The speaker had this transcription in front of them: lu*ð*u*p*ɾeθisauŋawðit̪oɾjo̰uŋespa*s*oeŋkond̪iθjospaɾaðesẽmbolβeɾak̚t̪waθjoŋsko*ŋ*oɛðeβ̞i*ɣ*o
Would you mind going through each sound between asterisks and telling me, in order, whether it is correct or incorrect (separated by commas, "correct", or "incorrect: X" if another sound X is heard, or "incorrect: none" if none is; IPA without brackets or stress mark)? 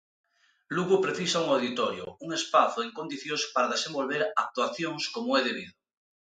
incorrect: ɣ, correct, incorrect: θ, incorrect: m, incorrect: ð